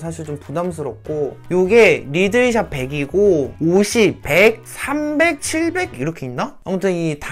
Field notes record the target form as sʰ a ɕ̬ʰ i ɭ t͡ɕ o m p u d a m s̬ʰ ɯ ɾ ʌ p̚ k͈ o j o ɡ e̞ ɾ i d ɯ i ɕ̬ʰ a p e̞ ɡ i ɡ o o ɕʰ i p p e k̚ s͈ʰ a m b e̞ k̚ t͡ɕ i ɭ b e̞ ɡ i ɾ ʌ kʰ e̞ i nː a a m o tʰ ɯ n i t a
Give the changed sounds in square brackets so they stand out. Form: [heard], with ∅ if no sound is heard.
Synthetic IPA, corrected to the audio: sʰ a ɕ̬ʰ i ɭ t͡ɕ o m p u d a m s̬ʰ ɯ ɾ ʌ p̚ k͈ o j o ɡ e̞ ɾ i d ɯ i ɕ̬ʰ a p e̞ ɡ i ɡ o o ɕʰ i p p e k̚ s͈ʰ a m b e̞ k̚ [t͡ɕʰ] i ɭ b e̞ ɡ i ɾ ʌ kʰ e̞ i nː a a m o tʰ ɯ n i t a